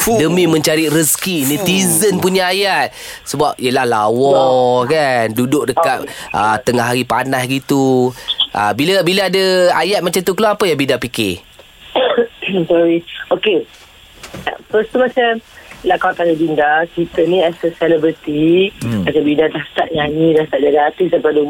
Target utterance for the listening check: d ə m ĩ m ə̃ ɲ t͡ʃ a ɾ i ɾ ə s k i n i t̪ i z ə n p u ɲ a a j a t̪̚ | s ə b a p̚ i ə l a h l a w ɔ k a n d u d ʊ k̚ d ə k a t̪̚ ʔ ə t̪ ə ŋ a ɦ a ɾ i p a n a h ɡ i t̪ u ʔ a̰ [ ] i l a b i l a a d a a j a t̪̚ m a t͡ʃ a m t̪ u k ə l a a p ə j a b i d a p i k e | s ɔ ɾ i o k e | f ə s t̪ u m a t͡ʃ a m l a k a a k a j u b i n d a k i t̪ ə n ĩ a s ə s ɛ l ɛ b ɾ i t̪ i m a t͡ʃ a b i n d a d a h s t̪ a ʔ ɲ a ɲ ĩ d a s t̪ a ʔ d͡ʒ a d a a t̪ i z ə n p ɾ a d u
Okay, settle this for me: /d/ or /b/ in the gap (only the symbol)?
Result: b